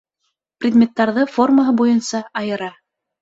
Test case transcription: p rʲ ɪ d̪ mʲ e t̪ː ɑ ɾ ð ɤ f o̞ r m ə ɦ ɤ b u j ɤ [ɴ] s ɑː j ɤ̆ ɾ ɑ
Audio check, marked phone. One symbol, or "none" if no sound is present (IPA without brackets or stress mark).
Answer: n